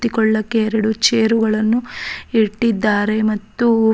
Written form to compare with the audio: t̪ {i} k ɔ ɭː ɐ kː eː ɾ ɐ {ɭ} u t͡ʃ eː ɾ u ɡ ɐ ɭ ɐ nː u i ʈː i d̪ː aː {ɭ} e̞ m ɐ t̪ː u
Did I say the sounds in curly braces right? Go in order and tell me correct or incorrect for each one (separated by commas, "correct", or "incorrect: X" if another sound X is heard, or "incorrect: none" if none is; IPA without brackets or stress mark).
correct, incorrect: ɽ, incorrect: ɾ